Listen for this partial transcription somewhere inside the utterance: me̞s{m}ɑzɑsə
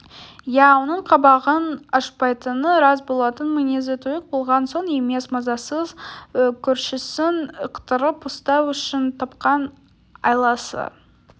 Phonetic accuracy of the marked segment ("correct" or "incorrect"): correct